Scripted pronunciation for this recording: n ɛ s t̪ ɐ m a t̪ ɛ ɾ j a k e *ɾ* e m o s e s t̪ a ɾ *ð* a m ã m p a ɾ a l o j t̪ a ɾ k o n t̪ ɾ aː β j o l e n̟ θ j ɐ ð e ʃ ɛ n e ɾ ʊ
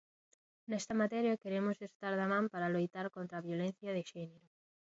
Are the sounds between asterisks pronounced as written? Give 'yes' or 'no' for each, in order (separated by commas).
yes, yes